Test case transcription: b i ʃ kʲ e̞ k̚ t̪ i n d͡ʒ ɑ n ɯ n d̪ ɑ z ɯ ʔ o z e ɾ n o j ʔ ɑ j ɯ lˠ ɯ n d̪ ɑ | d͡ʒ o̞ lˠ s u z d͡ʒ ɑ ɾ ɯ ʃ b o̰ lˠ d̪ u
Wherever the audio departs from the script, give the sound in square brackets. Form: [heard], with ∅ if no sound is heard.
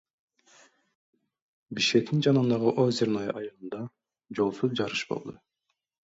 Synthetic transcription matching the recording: b i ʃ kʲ e̞ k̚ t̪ i n d͡ʒ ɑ n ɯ n d̪ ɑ [ʁ] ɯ ʔ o z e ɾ n o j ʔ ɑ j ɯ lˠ ɯ n d̪ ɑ | d͡ʒ o̞ lˠ s u z d͡ʒ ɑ ɾ ɯ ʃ b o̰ lˠ d̪ u